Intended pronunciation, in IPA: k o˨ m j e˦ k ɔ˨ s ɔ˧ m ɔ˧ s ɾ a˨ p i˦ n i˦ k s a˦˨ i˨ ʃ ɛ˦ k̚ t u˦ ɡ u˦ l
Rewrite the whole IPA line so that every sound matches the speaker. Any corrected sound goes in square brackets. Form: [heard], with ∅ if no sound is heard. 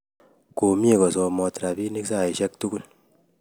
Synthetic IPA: k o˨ m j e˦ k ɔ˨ s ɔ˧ m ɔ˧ [t] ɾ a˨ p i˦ n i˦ k s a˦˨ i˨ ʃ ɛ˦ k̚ t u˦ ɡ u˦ l